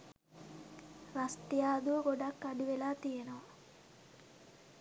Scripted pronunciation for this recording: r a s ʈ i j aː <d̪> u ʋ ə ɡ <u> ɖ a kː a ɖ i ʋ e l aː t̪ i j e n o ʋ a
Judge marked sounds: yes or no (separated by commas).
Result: yes, no